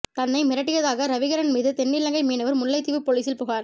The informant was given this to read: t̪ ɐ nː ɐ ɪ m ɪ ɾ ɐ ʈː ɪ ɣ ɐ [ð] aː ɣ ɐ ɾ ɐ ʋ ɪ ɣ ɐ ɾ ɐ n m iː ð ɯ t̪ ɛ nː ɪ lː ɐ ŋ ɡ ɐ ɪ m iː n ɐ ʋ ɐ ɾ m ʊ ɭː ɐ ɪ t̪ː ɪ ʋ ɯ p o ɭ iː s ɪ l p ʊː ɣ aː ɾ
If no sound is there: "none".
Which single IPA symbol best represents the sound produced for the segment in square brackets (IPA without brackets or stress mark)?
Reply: ð